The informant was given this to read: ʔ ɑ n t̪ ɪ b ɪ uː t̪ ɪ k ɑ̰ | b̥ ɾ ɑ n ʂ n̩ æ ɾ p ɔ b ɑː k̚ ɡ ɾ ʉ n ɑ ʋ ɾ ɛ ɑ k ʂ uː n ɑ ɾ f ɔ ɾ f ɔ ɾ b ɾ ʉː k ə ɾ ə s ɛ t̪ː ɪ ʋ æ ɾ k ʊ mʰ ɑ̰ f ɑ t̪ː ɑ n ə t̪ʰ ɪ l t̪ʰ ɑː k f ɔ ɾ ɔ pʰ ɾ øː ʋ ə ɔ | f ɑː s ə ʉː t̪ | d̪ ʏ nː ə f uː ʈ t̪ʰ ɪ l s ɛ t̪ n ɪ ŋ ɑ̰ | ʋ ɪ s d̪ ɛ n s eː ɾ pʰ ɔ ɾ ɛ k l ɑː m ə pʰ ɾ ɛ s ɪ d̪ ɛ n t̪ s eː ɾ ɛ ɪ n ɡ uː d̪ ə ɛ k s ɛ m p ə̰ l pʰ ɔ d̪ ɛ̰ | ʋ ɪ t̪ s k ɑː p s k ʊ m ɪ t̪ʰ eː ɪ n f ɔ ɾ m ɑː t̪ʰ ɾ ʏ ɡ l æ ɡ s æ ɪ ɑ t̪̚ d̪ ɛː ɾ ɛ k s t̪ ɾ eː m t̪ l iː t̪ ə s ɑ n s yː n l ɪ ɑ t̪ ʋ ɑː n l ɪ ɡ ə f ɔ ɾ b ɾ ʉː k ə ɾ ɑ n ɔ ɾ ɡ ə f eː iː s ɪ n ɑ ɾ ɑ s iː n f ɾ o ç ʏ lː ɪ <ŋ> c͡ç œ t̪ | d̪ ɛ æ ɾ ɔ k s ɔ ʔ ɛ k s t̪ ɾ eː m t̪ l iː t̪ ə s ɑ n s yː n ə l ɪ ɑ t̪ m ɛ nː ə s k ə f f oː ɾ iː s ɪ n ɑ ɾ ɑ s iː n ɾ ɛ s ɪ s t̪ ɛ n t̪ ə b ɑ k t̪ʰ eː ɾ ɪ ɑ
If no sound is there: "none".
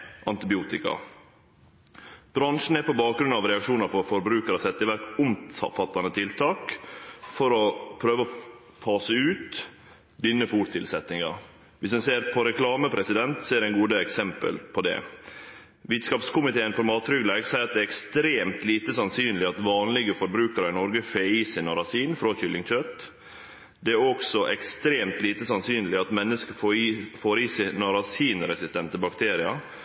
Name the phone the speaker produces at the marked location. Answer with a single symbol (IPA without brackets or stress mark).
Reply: ŋ